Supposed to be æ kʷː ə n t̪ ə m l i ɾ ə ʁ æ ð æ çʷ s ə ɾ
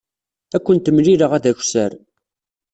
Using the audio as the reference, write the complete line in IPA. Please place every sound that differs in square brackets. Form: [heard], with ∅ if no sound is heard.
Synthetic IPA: æ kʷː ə n t̪ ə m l i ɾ ə ʁ æ ð æ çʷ s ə ɾ

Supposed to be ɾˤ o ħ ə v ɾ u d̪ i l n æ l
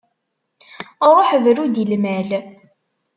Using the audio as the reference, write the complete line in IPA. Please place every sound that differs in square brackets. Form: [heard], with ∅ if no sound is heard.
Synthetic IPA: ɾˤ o ħ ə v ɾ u d̪ i l [m] æ l

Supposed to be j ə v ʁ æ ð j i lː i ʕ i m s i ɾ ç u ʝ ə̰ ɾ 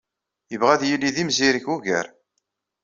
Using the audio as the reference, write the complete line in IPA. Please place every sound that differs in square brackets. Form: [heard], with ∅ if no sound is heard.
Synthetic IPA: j ə v ʁ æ ð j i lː i [ð] i m [z] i ɾ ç u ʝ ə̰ ɾ

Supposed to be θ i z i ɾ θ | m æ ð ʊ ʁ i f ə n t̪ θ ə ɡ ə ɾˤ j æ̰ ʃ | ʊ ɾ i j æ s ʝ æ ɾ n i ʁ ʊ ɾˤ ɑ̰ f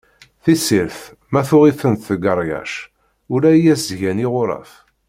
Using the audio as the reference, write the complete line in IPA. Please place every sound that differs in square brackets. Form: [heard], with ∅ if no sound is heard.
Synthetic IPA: θ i [s] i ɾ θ | m æ [θ] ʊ ʁ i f ə n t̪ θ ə ɡ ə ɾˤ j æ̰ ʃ | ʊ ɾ [æ] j æ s ʝ æ [∅] n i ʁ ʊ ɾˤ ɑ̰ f

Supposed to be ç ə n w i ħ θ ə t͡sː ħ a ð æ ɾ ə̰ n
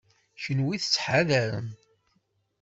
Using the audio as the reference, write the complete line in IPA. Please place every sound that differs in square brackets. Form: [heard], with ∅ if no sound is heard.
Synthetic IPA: ç ə n w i [∅] θ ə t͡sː ħ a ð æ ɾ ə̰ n

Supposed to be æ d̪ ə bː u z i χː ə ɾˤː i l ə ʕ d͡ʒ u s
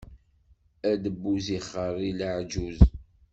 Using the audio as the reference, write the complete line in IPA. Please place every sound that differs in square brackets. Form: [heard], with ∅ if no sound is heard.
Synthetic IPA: æ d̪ ə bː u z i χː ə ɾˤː i l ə ʕ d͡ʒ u [z]

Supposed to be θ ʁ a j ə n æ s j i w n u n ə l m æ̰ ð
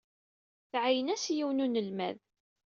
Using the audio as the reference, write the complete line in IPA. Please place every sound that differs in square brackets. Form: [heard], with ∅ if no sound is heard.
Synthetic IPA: θ [ʕ] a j ə n æ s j i w n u n ə l m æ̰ ð

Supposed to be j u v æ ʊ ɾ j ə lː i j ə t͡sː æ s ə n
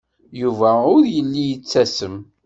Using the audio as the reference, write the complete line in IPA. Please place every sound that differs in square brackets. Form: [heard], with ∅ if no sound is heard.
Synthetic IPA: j u v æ ʊ ɾ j ə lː i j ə t͡sː æ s ə [m]

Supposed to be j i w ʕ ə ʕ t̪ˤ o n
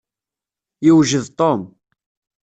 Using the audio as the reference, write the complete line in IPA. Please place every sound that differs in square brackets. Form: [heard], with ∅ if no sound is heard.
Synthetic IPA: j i w [ʒ] ə [ð] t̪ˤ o [m]

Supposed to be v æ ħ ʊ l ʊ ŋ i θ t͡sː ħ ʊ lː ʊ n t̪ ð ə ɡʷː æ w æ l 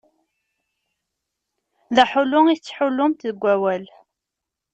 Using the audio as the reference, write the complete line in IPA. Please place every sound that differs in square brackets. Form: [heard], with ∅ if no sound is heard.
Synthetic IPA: [ð] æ ħ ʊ l ʊ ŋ i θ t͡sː ħ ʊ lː ʊ [m] t̪ ð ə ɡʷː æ w æ l

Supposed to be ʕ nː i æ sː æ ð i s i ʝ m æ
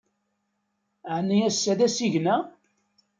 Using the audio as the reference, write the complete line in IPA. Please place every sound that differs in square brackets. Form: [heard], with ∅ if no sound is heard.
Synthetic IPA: ʕ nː i æ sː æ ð [æ] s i ʝ [n] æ

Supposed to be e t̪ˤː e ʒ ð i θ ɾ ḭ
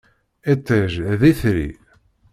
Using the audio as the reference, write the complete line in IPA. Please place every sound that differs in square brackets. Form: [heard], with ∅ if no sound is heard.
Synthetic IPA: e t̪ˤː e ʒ ð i θ ɾ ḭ

